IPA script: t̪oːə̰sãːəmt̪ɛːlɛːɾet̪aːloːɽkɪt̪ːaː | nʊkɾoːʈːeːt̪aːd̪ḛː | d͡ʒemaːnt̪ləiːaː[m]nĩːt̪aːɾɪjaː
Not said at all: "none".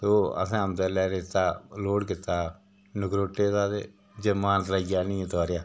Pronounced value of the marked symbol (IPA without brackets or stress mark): none